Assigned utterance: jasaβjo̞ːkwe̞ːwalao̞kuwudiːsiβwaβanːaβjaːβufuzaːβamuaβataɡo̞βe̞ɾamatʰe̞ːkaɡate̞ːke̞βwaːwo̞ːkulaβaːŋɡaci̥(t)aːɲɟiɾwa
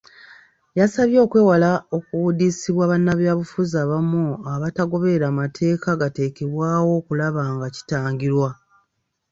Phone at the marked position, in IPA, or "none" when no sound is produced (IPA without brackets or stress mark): t